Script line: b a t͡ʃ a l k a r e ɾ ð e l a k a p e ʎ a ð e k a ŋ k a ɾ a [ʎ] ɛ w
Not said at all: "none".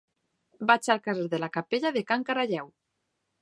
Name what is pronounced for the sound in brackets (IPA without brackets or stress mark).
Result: ʎ